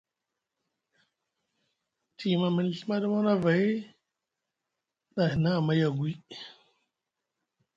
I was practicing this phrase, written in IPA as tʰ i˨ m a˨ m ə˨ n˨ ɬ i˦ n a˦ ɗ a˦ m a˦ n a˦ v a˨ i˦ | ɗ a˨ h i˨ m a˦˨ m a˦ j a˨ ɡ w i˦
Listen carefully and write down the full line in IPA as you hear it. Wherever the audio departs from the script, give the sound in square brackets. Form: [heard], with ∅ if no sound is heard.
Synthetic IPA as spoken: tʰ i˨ m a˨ m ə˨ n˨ ɬ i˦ [m] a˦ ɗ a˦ m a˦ n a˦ v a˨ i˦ | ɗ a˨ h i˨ [n] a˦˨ m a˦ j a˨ ɡ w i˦

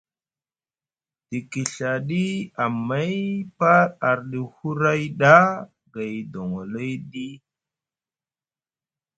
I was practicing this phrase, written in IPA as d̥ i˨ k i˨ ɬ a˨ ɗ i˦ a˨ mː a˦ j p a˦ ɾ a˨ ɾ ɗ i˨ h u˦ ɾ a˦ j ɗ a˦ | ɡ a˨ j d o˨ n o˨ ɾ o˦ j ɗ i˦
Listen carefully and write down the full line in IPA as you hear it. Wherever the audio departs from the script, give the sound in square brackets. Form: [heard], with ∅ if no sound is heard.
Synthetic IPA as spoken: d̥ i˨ k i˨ ɬ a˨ ɗ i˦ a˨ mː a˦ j p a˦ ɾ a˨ ɾ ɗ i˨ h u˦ ɾ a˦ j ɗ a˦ | ɡ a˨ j d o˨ [ŋ] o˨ [l] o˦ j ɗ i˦

